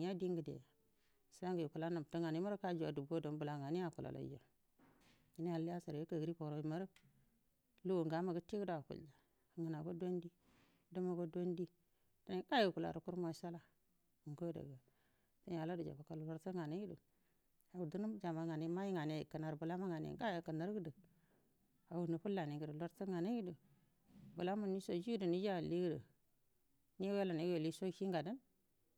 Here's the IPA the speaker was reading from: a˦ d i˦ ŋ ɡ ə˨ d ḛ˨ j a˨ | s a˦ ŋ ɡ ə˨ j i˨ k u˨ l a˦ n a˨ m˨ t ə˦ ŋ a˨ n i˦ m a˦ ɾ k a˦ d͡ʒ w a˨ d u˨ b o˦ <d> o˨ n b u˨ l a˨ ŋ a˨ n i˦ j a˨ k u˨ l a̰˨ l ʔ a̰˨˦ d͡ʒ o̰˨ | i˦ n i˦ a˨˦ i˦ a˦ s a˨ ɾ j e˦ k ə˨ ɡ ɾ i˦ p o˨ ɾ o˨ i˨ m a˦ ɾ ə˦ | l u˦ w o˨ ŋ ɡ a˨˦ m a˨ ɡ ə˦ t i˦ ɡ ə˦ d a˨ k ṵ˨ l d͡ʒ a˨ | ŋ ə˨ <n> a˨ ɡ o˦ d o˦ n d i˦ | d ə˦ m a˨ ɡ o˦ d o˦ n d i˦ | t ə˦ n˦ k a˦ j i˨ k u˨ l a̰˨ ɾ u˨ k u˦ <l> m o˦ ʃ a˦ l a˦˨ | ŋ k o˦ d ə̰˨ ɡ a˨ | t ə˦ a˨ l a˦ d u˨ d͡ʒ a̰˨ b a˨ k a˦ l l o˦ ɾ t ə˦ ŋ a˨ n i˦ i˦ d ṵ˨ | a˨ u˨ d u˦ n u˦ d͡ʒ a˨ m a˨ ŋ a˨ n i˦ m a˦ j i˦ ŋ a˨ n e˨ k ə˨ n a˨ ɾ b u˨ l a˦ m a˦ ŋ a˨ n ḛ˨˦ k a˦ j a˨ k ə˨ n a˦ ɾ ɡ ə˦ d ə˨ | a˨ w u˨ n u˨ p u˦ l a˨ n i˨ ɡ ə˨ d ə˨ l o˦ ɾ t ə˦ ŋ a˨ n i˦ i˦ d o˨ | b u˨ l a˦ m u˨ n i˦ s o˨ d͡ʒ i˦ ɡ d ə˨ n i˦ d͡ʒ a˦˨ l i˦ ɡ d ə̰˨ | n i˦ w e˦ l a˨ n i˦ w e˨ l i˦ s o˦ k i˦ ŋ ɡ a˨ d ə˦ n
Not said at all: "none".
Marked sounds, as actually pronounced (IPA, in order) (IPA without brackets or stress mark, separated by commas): d, n, ɾ